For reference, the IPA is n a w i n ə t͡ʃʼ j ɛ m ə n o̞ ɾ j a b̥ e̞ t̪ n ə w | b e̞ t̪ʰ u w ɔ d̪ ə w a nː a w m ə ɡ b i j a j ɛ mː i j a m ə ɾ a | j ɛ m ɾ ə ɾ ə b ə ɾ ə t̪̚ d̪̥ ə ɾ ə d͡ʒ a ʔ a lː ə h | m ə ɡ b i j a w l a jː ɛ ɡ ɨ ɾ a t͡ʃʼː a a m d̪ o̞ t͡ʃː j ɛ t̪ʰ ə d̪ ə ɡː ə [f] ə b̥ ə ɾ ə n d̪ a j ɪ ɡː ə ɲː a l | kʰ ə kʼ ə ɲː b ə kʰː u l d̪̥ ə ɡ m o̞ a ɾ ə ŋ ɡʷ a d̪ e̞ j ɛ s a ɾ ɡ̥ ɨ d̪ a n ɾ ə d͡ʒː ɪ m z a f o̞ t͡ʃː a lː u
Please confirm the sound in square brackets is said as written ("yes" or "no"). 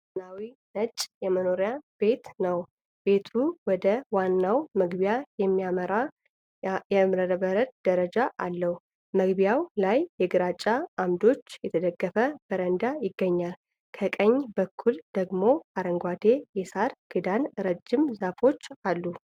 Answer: yes